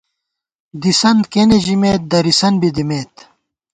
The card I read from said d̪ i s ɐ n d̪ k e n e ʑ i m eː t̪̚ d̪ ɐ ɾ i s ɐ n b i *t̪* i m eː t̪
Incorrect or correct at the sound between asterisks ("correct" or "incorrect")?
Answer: incorrect